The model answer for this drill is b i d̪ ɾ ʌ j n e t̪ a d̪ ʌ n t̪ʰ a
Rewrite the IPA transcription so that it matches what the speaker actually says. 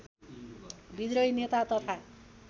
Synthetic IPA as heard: b i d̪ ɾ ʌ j n e t̪ a t̪ ʌ t̪ʰ a